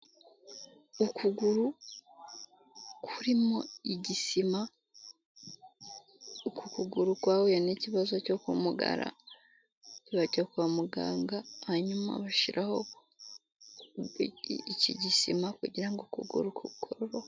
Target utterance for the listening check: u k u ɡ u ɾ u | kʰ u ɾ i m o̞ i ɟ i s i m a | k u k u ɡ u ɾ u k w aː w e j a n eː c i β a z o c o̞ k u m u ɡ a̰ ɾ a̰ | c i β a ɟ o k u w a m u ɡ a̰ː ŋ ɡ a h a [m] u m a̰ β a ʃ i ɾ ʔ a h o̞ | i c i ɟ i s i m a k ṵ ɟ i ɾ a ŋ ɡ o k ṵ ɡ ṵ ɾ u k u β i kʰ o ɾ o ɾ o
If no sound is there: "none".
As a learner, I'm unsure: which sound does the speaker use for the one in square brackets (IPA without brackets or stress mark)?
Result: ɲ